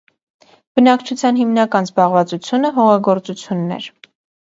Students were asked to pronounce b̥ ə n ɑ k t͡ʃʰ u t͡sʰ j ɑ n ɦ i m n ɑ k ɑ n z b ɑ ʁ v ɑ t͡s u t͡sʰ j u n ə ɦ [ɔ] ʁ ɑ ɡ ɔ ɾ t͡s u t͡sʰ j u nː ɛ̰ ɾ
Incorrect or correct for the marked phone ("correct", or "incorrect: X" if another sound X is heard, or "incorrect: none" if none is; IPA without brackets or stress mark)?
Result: correct